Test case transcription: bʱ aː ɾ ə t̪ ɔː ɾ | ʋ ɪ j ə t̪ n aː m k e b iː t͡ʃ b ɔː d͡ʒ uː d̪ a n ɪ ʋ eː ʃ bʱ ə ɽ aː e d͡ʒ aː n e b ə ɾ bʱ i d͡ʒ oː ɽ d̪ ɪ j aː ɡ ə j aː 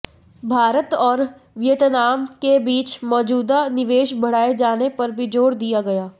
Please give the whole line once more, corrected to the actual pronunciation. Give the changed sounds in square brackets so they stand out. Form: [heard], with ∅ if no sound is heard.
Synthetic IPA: bʱ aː ɾ ə t̪ ɔː ɾ | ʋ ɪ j ə t̪ n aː m k e b iː t͡ʃ [m] ɔː d͡ʒ uː d̪ a n ɪ ʋ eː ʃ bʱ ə ɽ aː e d͡ʒ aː n e [p] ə ɾ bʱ i d͡ʒ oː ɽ d̪ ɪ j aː ɡ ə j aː